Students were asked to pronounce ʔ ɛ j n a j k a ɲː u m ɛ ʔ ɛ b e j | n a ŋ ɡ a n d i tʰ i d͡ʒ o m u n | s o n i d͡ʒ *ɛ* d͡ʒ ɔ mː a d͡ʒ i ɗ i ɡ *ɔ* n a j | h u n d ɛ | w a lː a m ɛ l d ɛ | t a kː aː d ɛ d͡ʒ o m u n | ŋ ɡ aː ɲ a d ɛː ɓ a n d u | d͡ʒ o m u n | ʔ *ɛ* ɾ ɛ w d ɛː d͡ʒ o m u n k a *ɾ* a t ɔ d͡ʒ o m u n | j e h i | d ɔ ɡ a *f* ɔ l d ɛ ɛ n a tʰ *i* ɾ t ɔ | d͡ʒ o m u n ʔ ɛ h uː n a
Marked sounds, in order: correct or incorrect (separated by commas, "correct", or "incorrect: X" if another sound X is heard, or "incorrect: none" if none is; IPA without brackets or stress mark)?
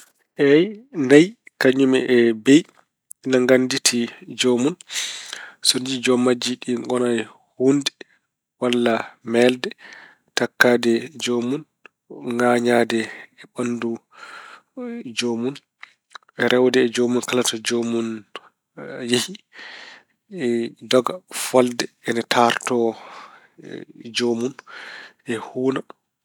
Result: incorrect: i, correct, correct, incorrect: l, correct, incorrect: a